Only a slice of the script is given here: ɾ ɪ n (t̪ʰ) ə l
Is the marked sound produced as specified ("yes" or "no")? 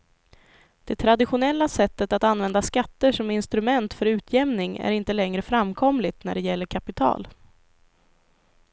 no